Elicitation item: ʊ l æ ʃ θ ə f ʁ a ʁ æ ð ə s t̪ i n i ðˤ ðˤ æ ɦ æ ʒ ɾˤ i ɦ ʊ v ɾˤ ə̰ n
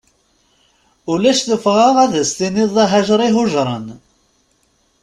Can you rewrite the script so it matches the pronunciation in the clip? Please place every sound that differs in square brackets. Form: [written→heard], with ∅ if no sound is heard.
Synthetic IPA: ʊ l æ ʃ θ ə f ʁ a ʁ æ ð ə s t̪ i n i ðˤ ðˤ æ ɦ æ ʒ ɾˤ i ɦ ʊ [v→ʒ] ɾˤ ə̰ n